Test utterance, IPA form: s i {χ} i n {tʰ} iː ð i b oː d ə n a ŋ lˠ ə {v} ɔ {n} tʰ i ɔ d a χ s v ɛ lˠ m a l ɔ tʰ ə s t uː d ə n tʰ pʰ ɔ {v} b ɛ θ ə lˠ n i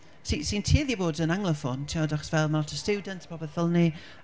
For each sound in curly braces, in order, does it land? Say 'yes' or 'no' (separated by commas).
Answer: no, yes, no, yes, no